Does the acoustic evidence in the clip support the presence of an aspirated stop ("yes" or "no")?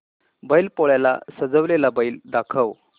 yes